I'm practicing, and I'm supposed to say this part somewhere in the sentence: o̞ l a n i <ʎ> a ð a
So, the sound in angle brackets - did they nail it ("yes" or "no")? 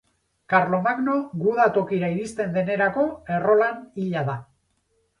yes